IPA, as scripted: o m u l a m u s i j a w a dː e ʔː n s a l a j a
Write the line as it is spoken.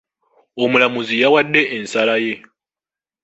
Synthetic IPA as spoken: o m u l a m u z i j a w a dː e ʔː n s a l a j e